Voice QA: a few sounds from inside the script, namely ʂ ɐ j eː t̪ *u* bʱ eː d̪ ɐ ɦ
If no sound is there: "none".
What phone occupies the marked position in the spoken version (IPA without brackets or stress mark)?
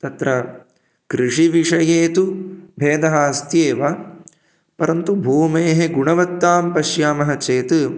u